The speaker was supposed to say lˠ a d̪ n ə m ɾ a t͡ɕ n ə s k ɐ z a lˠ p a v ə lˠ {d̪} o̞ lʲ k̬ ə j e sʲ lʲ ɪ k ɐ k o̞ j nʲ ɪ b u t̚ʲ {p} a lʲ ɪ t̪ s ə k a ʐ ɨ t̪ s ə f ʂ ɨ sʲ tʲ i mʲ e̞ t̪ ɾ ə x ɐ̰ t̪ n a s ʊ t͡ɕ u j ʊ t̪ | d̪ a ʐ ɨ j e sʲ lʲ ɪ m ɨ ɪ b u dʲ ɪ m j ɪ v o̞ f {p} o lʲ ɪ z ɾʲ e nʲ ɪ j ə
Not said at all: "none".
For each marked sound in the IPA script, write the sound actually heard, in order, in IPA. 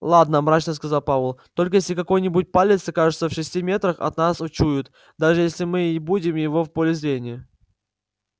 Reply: t̪, p, p

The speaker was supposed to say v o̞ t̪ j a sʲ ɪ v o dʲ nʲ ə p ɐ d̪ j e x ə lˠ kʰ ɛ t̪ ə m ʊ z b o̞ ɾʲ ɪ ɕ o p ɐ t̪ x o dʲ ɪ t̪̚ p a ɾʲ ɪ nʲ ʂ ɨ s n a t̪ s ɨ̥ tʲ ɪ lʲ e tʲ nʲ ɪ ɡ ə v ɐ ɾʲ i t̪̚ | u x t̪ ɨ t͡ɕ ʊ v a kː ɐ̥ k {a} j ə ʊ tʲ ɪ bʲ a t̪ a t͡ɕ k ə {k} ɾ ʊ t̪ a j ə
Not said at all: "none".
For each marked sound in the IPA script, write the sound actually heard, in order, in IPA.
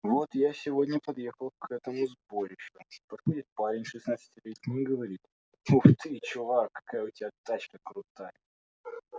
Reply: a, k

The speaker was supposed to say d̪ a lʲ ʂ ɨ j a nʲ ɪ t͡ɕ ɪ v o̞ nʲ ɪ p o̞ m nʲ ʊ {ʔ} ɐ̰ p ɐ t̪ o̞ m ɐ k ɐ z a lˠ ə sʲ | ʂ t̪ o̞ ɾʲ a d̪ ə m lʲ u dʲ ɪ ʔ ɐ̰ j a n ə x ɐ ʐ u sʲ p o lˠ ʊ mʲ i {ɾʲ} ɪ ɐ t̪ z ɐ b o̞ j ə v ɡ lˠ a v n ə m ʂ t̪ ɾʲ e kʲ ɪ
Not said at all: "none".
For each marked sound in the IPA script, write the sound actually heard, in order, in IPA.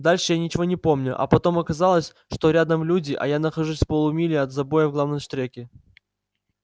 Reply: ʔ, lʲ

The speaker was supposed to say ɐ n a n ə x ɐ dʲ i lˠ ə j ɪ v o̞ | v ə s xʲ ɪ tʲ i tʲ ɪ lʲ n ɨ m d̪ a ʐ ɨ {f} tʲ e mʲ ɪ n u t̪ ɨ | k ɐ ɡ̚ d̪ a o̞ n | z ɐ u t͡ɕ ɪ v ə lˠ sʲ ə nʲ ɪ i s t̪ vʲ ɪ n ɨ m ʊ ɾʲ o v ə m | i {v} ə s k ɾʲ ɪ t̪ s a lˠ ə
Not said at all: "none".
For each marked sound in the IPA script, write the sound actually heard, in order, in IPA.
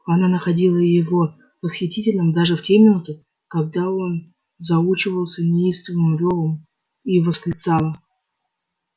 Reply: f, v

